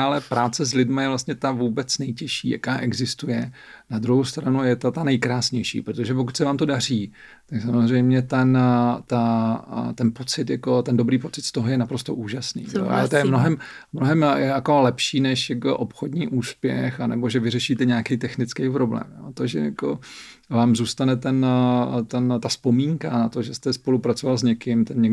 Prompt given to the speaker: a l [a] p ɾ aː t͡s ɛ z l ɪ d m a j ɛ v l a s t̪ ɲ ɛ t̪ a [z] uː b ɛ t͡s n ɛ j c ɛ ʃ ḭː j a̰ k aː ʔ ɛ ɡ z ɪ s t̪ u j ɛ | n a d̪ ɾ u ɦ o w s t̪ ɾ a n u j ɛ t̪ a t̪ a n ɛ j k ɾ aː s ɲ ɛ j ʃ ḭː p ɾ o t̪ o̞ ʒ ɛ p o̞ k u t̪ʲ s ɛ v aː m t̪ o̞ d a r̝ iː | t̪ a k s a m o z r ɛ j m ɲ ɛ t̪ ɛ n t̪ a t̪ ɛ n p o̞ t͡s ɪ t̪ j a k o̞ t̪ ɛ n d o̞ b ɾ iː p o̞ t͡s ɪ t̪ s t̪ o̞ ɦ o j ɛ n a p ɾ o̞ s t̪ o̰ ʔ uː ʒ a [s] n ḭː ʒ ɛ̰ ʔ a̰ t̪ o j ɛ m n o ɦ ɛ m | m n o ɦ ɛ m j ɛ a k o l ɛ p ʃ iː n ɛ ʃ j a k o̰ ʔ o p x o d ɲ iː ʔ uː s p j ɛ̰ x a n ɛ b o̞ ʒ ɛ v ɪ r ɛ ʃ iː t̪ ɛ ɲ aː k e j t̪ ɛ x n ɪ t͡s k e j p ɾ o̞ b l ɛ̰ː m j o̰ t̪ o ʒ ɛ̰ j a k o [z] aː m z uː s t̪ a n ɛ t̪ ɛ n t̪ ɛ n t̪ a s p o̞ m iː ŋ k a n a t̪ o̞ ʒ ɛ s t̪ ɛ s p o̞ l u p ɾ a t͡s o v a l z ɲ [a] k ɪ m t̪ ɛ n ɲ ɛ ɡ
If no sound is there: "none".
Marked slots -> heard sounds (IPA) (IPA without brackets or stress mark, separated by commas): ɛ, v, s, v, ɛ